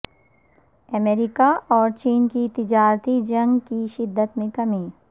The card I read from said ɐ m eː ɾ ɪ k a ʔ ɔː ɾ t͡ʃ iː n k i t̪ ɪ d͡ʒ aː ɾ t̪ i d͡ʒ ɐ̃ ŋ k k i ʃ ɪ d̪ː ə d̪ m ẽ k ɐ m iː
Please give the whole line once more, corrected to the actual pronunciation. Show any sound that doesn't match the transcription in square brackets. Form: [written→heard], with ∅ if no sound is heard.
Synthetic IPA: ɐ m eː ɾ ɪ k a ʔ ɔː ɾ t͡ʃ iː n k i t̪ ɪ d͡ʒ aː ɾ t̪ i d͡ʒ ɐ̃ ŋ [k→ɡ] k i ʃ ɪ d̪ː ə [d̪→t̪] m ẽ k ɐ m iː